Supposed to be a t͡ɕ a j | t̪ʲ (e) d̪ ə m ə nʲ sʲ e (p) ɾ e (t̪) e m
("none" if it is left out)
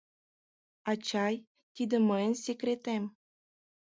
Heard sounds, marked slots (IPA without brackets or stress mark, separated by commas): i, k, t̪